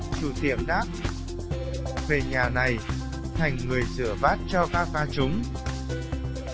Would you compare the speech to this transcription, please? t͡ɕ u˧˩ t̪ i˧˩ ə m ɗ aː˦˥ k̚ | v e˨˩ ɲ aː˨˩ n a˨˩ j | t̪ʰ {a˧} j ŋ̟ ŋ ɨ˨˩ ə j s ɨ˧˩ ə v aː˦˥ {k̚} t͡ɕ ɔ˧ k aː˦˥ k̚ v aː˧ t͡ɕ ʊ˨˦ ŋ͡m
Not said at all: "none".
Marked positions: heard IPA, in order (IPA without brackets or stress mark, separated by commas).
a˨˩, t̚